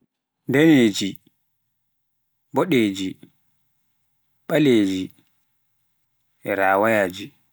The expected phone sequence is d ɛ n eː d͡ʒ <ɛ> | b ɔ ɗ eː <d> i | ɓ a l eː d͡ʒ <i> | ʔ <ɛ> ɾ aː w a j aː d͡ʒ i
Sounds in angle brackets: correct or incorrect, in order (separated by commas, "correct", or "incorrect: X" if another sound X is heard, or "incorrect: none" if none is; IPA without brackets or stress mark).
incorrect: i, incorrect: d͡ʒ, correct, correct